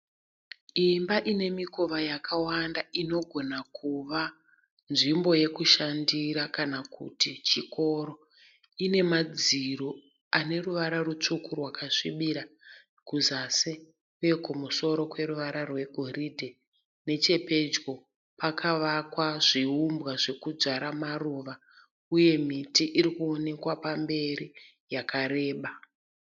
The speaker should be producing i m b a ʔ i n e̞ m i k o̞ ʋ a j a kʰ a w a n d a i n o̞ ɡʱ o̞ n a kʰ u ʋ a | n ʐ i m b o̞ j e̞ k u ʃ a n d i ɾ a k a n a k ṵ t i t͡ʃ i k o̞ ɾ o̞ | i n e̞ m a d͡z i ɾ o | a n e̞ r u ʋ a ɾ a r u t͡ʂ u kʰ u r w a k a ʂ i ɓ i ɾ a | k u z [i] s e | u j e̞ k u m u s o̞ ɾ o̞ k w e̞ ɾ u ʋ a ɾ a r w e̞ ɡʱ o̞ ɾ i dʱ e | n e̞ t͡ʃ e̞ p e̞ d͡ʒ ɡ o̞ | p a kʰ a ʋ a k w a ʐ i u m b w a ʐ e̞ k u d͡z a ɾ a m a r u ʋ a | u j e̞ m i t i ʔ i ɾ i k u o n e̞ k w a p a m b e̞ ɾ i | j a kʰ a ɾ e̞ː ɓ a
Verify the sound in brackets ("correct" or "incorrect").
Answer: incorrect